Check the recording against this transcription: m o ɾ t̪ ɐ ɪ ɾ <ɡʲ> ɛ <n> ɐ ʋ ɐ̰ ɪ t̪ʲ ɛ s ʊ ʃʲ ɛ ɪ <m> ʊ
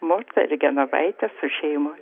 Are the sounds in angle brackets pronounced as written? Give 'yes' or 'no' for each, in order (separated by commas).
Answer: yes, yes, yes